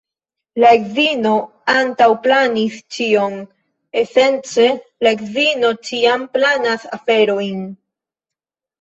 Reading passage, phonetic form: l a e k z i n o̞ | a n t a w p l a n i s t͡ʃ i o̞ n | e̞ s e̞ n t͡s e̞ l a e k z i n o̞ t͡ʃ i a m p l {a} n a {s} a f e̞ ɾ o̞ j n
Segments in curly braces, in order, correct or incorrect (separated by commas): correct, correct